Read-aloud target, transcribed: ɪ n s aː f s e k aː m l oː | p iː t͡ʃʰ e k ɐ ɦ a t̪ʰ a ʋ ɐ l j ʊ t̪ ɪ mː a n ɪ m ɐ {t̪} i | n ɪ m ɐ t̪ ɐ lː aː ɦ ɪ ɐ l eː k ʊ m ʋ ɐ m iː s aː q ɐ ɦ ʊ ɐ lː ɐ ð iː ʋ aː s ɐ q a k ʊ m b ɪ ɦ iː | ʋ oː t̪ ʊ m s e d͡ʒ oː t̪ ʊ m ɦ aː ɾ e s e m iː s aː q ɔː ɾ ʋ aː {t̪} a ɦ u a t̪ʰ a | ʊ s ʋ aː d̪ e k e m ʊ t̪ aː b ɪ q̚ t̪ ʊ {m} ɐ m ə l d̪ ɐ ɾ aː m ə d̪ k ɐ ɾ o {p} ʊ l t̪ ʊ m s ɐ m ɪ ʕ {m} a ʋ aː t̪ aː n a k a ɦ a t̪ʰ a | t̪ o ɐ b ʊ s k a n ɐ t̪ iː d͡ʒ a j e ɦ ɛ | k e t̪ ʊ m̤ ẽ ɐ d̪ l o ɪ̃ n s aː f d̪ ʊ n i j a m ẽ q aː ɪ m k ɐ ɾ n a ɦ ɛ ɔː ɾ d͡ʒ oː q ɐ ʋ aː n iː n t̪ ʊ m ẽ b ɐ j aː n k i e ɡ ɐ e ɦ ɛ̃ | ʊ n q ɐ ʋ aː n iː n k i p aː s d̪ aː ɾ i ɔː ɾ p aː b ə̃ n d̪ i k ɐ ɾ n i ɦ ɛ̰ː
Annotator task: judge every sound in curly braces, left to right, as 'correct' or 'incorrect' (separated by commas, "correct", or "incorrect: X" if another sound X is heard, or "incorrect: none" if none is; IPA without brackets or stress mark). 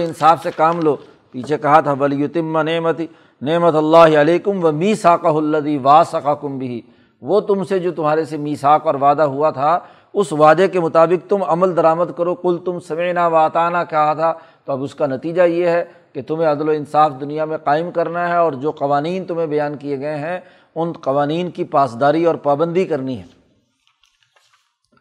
correct, incorrect: d̪, correct, incorrect: q, incorrect: n